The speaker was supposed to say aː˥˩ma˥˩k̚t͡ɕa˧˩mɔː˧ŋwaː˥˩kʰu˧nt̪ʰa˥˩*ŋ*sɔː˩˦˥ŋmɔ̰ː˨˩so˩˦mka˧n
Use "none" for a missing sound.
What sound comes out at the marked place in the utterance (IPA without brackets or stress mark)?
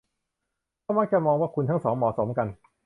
ŋ